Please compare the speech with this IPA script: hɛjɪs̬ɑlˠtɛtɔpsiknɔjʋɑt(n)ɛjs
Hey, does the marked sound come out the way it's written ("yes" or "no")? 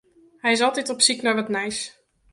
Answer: yes